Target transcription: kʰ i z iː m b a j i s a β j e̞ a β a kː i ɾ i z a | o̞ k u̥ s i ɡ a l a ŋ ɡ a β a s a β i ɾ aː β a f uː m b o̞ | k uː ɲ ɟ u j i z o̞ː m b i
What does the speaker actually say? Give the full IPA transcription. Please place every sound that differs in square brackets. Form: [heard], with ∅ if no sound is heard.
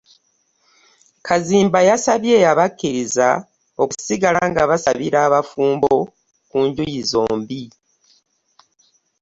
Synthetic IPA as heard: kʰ [a] z iː m b a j [a] s a β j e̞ a β a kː i ɾ i z a | o̞ k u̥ s i ɡ a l a ŋ ɡ a β a s a β i ɾ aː β a f uː m b o̞ | k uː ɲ ɟ u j i z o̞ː m b i

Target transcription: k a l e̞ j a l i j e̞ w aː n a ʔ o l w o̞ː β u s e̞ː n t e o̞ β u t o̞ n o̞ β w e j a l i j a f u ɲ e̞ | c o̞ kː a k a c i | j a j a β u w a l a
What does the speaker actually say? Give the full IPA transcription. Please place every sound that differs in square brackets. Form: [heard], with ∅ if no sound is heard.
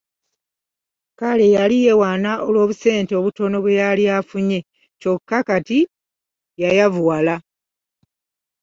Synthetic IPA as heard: k a l e̞ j a l i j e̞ w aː n a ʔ o l w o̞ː β u s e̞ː n t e o̞ β u t o̞ n o̞ β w e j a l i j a f u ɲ e̞ | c o̞ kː a k a [t] i | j a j a [v] u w a l a

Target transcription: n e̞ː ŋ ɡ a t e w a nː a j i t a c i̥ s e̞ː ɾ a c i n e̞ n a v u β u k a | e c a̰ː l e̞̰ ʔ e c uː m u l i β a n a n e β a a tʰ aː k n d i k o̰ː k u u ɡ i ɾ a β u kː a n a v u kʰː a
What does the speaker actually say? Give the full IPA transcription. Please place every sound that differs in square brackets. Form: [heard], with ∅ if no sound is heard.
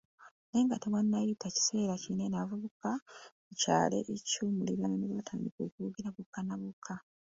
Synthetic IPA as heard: n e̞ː ŋ ɡ a t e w a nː a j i t a c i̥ s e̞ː ɾ a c i n e̞ n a v u β u k a | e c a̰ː l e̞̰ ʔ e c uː m u l i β a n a n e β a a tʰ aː [∅] n d i k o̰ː k u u ɡ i ɾ a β u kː a n a [β] u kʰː a

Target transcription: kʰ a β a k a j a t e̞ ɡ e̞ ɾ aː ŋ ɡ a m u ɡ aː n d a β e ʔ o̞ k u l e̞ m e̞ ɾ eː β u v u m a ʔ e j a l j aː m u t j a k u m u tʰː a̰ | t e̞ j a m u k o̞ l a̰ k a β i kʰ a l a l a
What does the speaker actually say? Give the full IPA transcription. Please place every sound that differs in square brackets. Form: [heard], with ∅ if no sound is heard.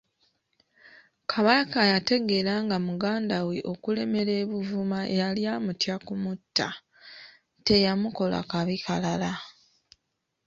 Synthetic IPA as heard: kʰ a β a k a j a t e̞ ɡ e̞ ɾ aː ŋ ɡ a m u ɡ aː n d a [w] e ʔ o̞ k u l e̞ m e̞ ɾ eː β u v u m a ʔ e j a l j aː m u t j a k u m u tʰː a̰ | t e̞ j a m u k o̞ l a̰ k a β i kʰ a l a l a

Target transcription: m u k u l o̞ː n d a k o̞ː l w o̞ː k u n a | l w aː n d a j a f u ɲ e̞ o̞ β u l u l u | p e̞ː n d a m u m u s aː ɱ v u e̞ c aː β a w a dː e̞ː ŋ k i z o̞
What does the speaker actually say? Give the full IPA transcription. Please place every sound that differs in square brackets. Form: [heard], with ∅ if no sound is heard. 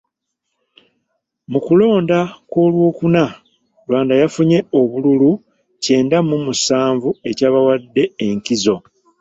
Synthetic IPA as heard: m u k u l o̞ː n d a k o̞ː l w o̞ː k u n a | l w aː n d a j a f u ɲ e̞ o̞ β u l u l u | [c] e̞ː n d a m u m u s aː ɱ v u e̞ c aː β a w a dː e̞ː ŋ k i z o̞

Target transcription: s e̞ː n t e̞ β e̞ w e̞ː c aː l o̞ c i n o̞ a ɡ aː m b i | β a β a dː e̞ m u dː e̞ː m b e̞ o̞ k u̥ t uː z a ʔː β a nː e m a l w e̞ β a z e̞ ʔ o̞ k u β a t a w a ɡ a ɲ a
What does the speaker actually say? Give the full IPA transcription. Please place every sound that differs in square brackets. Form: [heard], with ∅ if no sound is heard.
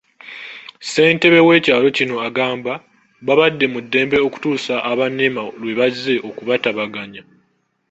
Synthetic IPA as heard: s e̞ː n t e̞ β e̞ w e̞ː c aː l o̞ c i n o̞ a ɡ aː m b [a] | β a β a dː e̞ m u dː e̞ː m b e̞ o̞ k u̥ t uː [s] a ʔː β a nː e m a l w e̞ β a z e̞ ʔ o̞ k u β a t a [β] a ɡ a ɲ a

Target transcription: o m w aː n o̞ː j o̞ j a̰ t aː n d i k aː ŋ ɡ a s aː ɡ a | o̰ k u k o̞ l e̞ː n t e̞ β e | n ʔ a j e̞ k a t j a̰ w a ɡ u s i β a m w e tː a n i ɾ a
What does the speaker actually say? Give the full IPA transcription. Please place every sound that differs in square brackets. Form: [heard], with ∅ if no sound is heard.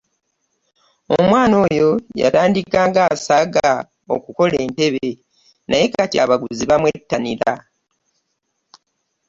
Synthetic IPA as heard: o m w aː n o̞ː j o̞ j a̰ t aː n d i k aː ŋ ɡ a s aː ɡ a | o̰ k u k o̞ l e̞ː n t e̞ β e | n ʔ a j e̞ k a t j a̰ [β] a ɡ u [z] i β a m w e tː a n i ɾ a

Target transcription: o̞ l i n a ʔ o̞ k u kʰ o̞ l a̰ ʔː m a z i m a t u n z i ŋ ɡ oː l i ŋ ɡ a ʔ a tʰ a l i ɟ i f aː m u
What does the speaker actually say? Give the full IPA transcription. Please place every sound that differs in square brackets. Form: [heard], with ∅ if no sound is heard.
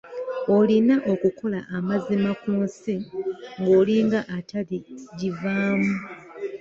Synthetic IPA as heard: o̞ l i n a ʔ o̞ k u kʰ o̞ l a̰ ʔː m a z i m a [k] u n [s] i ŋ ɡ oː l i ŋ ɡ a ʔ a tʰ a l i ɟ i [v] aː m u

